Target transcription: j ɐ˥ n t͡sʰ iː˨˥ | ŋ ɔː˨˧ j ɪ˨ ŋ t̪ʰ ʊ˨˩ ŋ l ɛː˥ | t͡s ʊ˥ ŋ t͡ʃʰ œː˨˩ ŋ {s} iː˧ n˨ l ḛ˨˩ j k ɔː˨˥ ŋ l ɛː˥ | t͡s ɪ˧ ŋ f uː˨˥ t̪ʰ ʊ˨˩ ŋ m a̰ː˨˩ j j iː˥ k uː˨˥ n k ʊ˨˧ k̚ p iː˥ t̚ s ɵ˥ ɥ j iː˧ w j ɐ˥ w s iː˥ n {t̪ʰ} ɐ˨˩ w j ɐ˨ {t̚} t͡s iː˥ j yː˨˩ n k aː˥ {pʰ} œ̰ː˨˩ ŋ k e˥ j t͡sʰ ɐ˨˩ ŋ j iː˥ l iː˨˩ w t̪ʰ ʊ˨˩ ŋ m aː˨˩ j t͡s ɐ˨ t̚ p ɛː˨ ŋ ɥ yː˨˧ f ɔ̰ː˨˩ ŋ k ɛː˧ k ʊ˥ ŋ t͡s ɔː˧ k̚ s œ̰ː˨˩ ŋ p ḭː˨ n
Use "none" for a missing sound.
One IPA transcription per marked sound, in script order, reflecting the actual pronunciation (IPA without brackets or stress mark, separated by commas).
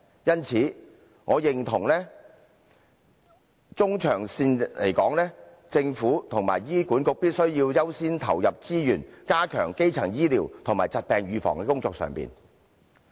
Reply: s, t̪ʰ, p̚, kʰ